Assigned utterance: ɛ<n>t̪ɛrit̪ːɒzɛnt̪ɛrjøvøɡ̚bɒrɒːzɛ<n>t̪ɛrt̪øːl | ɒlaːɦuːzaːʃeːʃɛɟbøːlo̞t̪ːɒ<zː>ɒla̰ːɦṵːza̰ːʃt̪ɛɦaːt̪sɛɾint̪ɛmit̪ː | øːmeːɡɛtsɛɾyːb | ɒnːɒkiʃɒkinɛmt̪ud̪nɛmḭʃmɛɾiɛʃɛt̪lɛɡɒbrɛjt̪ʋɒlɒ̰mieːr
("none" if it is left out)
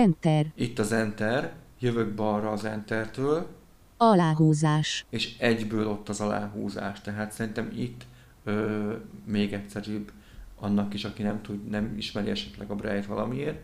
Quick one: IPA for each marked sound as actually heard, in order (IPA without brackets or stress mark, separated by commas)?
n, n, z